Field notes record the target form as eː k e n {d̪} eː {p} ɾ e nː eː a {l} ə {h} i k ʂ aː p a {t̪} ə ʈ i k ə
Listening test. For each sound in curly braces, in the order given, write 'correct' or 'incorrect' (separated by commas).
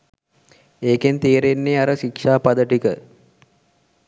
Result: incorrect, incorrect, incorrect, incorrect, incorrect